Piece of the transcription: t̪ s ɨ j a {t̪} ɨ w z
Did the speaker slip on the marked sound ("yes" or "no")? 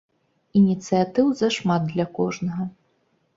no